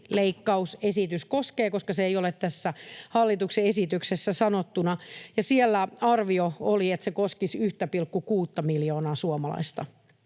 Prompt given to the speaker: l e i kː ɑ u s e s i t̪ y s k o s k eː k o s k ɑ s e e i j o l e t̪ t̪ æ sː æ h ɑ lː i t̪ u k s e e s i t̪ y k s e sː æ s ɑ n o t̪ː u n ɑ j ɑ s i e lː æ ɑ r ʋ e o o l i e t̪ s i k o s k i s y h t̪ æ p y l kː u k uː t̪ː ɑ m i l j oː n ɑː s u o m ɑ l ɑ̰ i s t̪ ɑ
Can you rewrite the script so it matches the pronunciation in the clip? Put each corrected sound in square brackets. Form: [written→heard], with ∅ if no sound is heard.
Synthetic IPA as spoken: l e i kː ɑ u s e s i t̪ y s k o s k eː k o s k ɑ s e e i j o l e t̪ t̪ æ sː æ h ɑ lː i t̪ u k s e e s i t̪ y k s e sː æ s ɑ n o t̪ː u n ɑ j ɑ s i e lː æ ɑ r ʋ [e→i] o o l i e t̪ s [i→e] k o s k i s y h t̪ æ p [y→i] l kː u k uː t̪ː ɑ m i l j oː n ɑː s u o m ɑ l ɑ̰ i s t̪ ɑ